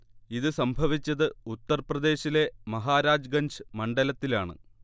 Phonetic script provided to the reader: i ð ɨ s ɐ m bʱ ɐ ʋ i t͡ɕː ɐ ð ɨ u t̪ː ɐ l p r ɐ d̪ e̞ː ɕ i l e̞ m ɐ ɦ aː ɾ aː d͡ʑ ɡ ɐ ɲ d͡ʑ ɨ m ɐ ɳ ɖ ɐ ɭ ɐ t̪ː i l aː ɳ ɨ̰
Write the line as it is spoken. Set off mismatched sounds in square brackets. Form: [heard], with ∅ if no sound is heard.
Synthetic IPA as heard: i ð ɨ s ɐ m bʱ ɐ ʋ i t͡ɕː ɐ ð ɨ u t̪ː ɐ [r] p r ɐ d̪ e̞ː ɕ i l e̞ m ɐ ɦ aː ɾ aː d͡ʑ ɡ ɐ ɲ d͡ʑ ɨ m ɐ ɳ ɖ ɐ [l] ɐ t̪ː i l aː ɳ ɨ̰